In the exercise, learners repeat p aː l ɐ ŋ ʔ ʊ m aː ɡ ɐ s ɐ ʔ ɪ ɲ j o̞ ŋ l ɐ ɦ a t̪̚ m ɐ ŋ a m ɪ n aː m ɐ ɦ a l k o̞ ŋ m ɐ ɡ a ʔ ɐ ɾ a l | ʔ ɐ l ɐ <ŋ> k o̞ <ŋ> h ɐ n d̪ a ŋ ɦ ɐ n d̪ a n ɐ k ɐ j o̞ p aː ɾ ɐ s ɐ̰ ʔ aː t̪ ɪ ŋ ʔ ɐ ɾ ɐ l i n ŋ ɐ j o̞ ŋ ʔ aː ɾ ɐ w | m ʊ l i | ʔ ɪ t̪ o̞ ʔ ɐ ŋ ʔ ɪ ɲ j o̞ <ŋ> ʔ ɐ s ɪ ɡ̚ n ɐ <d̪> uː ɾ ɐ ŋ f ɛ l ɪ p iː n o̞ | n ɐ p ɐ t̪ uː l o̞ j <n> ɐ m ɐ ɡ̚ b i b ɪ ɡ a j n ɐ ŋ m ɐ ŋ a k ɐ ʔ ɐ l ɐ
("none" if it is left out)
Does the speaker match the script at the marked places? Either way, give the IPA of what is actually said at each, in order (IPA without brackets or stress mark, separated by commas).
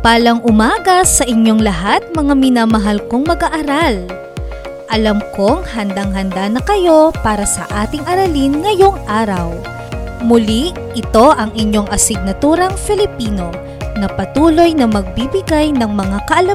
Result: m, ŋ, ŋ, t̪, n